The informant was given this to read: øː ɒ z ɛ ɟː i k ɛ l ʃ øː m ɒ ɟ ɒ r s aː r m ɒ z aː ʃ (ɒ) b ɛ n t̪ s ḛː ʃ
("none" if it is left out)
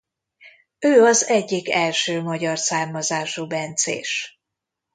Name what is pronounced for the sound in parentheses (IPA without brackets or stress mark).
u